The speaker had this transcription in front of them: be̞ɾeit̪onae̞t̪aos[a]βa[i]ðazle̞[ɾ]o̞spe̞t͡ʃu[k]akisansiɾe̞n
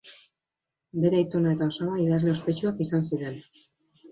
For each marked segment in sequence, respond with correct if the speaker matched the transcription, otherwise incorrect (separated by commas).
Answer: correct, correct, incorrect, incorrect